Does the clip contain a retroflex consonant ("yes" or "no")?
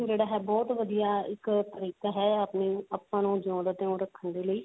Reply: yes